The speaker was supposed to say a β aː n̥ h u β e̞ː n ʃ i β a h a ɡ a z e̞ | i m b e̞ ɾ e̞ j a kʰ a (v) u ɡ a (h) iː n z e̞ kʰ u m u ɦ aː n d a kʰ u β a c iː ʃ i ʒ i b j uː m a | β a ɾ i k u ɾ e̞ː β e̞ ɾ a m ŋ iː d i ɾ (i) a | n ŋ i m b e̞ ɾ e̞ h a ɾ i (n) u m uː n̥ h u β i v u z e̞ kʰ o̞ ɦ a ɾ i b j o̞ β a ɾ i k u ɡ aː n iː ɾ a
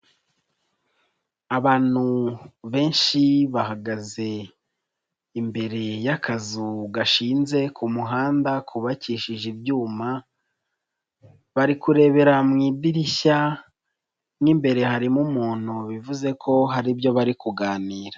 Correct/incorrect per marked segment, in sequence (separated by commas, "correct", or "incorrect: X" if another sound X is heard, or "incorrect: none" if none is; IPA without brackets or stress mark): incorrect: z, incorrect: ʃ, correct, incorrect: m